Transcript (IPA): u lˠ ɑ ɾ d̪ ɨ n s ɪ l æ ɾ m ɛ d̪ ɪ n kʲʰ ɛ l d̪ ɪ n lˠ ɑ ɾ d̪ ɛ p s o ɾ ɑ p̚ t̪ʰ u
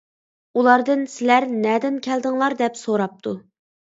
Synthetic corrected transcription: u lˠ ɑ ɾ d̪ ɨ n s ɪ l æ ɾ n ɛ d̪ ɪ n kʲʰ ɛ l d̪ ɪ ŋ lˠ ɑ ɾ d̪ ɛ p s o ɾ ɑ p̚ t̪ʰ u